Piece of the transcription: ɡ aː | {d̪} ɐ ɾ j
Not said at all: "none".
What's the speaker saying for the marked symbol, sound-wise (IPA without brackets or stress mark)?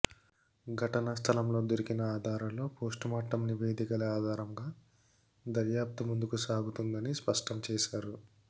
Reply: d̪